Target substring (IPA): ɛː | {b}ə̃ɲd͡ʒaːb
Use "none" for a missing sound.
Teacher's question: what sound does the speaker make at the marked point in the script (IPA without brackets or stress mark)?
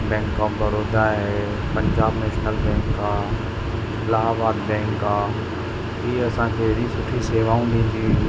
p